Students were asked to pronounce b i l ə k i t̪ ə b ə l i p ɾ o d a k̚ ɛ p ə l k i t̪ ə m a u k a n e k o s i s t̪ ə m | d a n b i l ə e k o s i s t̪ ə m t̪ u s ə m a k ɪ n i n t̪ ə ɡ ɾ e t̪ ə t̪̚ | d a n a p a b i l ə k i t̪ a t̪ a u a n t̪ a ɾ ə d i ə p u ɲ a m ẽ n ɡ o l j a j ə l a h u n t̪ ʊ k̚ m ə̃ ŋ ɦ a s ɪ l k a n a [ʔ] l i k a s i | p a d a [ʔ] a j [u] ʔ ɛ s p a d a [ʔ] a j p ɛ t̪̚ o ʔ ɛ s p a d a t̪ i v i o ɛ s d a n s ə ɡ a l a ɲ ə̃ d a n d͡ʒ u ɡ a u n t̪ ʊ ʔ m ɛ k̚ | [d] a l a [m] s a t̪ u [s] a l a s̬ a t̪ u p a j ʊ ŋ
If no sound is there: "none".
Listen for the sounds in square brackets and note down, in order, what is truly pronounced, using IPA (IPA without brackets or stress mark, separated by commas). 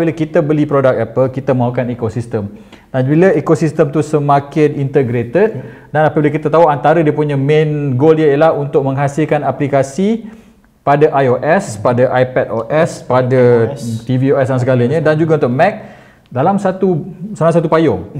p, ʔ, o, ʔ, d, m, s